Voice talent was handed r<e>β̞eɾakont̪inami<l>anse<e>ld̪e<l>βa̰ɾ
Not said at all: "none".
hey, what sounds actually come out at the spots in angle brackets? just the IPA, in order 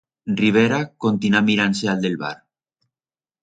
i, ɾ, a, l

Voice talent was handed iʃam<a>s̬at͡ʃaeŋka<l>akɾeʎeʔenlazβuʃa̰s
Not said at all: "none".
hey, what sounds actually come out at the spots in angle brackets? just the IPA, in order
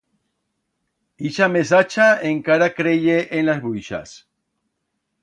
e, ɾ

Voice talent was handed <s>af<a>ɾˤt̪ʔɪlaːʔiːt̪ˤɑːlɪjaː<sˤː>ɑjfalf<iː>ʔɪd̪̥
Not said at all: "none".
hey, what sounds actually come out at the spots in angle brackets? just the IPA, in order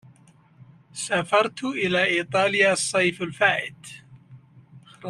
s, ɑ, sˤː, aː

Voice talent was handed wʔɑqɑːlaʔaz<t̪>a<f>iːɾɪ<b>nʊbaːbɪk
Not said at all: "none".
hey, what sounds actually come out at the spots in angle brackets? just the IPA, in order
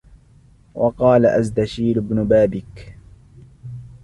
d̪, ʃ, b

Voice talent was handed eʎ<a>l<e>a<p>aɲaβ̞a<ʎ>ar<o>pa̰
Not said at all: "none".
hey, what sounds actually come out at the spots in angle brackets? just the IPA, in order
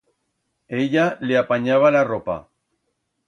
a, e, p, l, o

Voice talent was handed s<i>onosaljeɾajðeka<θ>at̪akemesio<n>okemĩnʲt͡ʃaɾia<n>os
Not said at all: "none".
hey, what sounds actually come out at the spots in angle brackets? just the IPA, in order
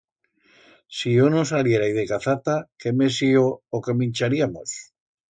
i, θ, none, m

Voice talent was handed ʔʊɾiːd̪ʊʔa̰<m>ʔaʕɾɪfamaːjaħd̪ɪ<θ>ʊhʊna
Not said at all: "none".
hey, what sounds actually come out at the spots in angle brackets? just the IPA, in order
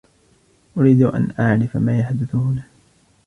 n, θ

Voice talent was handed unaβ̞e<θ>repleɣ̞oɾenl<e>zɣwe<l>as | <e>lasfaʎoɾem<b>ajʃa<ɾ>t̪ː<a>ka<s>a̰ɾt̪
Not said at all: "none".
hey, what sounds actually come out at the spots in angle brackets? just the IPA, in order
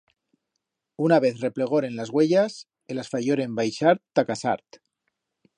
θ, a, ʎ, e, b, ɾ, a, s

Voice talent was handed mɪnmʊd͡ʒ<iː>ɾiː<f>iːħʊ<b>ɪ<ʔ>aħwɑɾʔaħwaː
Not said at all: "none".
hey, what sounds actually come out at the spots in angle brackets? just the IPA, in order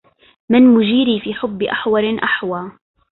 iː, f, bː, ʔ

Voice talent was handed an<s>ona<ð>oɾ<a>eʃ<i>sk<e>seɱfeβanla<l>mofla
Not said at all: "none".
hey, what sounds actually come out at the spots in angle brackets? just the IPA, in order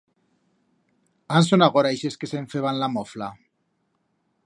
s, ɣ, a, e, e, none

